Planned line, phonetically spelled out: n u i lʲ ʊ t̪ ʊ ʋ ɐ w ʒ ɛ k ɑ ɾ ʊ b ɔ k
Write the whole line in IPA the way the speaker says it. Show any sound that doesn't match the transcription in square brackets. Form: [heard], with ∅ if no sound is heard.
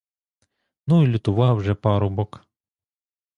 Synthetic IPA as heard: n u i lʲ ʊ t̪ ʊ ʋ [ɑ] w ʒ ɛ [p] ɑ ɾ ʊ b ɔ k